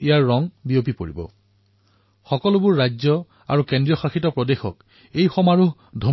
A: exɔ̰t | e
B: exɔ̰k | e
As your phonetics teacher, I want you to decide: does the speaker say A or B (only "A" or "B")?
B